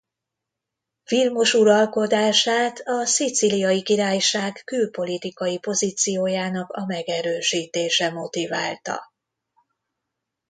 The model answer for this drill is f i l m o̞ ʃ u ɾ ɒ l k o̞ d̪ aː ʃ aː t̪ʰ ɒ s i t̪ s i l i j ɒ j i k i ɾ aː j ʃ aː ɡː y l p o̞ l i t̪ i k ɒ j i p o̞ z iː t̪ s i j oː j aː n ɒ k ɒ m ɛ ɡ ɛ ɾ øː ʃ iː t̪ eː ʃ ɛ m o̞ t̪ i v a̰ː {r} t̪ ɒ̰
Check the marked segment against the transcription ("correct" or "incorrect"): incorrect